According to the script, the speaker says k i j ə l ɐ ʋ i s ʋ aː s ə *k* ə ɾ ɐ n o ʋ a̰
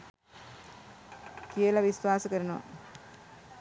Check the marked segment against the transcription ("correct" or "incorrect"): correct